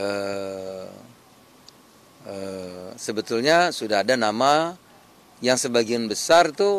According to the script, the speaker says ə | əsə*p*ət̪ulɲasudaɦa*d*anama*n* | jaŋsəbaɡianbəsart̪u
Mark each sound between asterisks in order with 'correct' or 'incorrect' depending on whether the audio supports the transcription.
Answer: incorrect: b, correct, incorrect: none

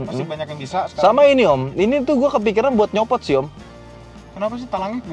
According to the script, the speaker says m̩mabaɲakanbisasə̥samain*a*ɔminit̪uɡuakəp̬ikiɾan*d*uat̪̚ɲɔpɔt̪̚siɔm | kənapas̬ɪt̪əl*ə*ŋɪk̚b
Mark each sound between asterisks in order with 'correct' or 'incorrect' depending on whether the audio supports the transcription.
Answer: incorrect: i, incorrect: b, incorrect: a

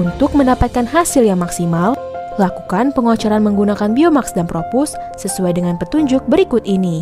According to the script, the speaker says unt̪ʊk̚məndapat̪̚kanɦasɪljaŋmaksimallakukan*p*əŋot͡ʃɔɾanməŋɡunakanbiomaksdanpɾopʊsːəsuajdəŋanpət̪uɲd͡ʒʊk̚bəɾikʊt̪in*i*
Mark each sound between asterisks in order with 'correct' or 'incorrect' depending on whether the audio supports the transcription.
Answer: correct, correct

